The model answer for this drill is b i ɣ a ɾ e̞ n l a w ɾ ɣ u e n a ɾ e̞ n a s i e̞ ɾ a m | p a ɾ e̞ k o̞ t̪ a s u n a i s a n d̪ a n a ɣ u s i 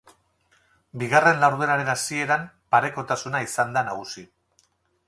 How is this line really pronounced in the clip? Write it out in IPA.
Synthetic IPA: b i ɣ a r e̞ n l a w ɾ ð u e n a ɾ e̞ n a s i e̞ ɾ a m | p a ɾ e̞ k o̞ t̪ a s u n a i s a n d̪ a n a ɣ u s i